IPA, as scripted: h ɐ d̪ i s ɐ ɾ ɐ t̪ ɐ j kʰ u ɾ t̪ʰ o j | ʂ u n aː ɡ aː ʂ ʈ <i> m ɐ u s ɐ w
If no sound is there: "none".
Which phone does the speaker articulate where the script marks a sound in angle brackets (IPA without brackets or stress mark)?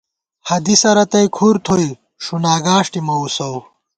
i